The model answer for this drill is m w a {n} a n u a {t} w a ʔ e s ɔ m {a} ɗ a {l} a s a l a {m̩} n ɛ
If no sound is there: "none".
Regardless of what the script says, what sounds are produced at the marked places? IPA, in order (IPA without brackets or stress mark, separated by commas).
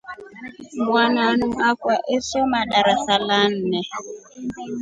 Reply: n, k, a, ɾ, n̩